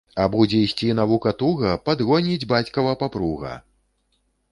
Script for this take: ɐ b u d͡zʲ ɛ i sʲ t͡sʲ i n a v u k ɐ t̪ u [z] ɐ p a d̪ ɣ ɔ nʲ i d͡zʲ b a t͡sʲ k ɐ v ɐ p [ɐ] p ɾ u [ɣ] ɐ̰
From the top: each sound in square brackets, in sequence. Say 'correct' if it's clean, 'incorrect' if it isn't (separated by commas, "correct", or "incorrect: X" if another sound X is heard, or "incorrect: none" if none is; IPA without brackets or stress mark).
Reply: incorrect: ɣ, incorrect: a, correct